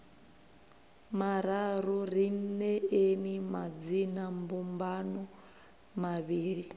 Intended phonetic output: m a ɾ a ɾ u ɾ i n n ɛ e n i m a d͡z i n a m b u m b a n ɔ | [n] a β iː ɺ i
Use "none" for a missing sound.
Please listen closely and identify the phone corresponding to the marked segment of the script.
m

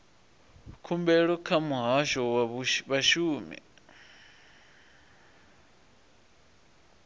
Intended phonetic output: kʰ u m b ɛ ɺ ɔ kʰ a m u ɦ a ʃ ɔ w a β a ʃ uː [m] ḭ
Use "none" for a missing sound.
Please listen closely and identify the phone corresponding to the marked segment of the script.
m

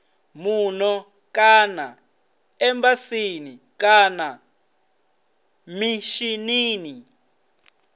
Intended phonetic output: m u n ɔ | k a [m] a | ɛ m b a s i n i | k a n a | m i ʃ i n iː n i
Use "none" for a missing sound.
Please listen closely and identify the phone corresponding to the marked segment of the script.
n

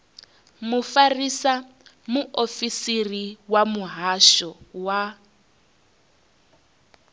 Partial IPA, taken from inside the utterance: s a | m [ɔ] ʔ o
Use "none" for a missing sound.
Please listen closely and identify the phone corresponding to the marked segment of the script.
u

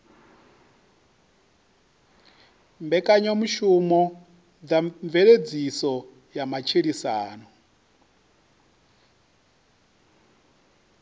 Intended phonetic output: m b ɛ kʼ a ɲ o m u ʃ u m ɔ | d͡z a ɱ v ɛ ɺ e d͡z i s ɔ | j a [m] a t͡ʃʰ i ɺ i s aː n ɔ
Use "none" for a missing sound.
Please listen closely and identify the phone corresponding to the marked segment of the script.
m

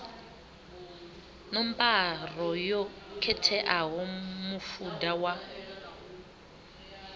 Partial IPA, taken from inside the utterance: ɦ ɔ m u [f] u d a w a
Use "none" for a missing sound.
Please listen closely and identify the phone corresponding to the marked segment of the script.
f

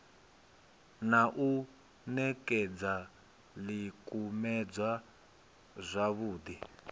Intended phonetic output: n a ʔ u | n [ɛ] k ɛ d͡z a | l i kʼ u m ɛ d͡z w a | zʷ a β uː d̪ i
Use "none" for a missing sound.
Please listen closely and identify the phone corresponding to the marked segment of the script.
ɛ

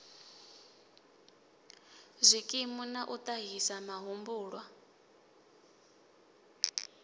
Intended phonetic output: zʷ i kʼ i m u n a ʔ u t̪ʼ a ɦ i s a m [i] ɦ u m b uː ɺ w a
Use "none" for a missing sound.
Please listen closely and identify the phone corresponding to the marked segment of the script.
a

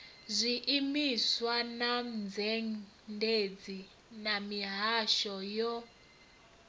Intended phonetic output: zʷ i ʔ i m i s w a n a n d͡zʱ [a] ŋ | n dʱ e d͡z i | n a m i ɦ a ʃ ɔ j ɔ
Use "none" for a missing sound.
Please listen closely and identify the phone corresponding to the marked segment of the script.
ɛ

